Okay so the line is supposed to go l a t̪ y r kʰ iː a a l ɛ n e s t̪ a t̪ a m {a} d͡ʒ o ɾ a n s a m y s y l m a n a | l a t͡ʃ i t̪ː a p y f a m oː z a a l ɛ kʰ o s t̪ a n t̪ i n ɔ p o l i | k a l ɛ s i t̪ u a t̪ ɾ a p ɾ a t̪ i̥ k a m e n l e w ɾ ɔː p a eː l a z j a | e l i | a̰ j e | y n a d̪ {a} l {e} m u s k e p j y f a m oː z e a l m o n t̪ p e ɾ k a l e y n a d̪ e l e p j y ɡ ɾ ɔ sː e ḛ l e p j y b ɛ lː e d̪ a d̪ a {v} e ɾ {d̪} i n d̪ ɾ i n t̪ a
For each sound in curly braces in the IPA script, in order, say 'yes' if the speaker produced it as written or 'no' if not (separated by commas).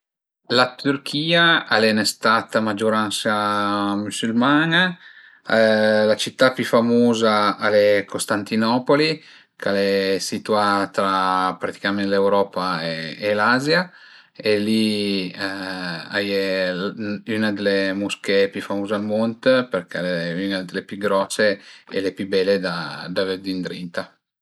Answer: yes, no, yes, yes, yes